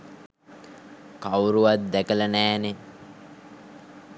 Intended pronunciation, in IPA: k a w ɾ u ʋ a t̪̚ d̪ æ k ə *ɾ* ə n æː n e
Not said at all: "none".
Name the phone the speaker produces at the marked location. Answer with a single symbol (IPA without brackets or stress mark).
l